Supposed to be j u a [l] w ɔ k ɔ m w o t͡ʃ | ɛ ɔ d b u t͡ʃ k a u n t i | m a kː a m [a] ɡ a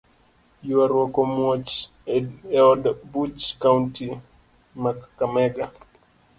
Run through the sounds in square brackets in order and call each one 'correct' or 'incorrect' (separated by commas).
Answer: incorrect, incorrect